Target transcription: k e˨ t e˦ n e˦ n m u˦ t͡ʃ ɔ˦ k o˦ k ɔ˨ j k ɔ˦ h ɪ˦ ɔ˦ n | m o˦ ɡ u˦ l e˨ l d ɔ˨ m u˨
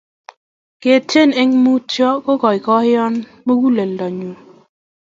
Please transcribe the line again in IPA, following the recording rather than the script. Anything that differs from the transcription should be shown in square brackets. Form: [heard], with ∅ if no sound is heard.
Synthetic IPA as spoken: k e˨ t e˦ n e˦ [ŋ] m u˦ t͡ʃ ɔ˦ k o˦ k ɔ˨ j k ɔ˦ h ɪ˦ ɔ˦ n | m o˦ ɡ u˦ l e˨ l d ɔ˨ [ɲ] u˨